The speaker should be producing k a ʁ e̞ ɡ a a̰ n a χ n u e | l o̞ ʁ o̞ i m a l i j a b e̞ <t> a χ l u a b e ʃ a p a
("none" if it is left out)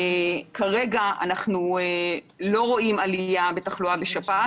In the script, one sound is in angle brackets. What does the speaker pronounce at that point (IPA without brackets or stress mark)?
t